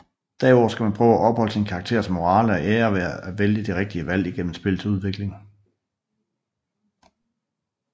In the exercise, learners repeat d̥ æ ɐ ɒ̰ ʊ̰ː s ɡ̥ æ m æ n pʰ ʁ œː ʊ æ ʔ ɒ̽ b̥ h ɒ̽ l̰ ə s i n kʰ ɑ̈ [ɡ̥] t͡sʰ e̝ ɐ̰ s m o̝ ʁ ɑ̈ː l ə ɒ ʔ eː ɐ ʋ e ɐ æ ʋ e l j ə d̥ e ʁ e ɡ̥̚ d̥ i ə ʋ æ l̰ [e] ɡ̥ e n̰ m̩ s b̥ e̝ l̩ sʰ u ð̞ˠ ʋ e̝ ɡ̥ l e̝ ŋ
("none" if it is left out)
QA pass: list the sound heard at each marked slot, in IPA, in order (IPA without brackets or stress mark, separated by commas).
ɡ̥, i